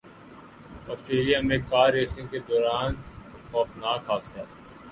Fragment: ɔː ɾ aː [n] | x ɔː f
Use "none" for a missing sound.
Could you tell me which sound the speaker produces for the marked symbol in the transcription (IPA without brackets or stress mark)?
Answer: n